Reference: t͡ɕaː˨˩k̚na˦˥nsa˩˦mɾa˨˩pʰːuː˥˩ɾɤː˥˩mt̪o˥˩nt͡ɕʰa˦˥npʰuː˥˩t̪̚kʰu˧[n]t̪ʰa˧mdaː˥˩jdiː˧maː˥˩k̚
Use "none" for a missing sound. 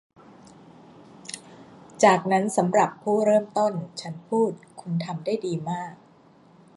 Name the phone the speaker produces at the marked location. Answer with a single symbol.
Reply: n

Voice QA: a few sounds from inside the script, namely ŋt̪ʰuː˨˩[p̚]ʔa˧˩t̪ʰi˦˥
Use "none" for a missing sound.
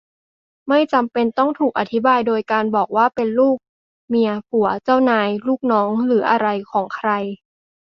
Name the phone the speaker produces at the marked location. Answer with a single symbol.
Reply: k̚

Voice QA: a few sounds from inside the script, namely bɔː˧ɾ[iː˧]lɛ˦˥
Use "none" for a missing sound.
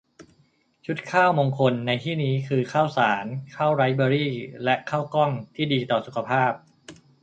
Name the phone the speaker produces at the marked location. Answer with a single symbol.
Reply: iː˥˩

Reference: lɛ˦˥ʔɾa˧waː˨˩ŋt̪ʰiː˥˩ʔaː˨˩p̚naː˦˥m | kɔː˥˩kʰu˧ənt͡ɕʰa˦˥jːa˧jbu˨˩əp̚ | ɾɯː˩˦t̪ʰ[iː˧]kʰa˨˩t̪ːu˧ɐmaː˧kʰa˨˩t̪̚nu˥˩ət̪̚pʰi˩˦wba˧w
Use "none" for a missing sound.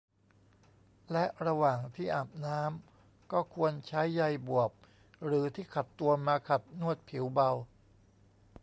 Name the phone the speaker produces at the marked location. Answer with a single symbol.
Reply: iː˥˩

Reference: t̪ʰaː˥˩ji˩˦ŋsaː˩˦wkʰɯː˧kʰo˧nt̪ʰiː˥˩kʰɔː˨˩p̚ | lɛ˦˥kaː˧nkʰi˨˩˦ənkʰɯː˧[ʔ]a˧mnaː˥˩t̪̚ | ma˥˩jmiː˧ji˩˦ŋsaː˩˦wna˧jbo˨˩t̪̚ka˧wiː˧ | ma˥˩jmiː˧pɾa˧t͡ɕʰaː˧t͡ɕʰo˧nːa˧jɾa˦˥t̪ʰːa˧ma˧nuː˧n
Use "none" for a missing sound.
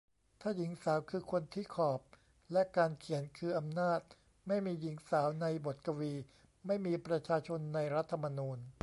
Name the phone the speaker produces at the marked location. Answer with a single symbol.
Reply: ʔ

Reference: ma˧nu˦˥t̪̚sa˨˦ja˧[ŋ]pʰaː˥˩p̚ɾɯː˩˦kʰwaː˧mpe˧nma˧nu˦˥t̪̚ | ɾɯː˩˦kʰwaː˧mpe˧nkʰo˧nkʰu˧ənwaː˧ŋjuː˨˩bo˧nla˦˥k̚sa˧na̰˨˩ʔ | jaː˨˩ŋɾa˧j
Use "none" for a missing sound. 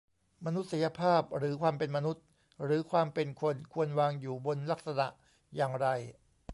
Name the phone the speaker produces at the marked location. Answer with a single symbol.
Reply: none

